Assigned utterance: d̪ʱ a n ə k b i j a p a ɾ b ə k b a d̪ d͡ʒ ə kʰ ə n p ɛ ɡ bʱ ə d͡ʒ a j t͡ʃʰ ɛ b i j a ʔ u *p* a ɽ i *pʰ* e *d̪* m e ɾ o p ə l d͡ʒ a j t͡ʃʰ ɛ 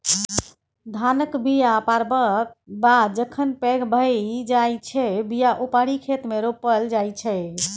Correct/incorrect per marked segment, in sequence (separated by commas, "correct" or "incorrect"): correct, incorrect, incorrect